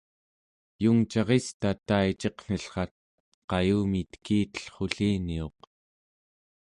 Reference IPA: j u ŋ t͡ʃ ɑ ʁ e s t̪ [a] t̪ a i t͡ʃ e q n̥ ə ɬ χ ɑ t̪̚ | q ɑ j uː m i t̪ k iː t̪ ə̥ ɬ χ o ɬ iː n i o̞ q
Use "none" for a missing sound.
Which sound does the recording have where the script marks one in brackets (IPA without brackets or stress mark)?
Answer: a